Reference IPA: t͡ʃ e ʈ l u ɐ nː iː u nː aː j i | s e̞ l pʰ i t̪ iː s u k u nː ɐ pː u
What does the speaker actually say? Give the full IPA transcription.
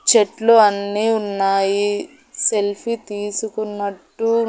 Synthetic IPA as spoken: t͡ʃ e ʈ l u ɐ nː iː u nː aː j i | s e̞ l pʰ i t̪ iː s u k u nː ɐ ʈː u